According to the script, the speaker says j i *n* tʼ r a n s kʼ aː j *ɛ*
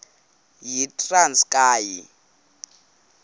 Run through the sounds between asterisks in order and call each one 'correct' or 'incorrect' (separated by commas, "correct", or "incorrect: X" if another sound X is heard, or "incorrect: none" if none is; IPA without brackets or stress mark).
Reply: incorrect: none, incorrect: i